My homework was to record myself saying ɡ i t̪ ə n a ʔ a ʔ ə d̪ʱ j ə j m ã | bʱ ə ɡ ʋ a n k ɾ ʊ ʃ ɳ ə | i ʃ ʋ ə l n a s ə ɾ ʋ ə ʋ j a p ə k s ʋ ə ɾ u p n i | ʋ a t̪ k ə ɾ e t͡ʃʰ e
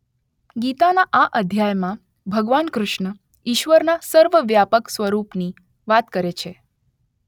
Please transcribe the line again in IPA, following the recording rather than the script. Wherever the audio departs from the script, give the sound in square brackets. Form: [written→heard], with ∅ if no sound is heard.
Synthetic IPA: ɡ i t̪ [ə→a] n a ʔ a ʔ ə d̪ʱ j [ə→a] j m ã | bʱ ə ɡ ʋ a n k ɾ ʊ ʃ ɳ ə | i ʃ ʋ ə [l→ɾ] n a s ə ɾ ʋ ə ʋ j a p ə k s ʋ ə ɾ u p n i | ʋ a t̪ k ə ɾ e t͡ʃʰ e